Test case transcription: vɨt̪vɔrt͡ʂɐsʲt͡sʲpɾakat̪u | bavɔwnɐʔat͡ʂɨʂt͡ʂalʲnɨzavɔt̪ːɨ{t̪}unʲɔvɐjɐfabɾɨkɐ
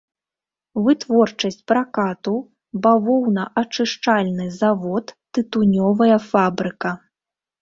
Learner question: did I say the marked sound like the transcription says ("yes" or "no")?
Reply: yes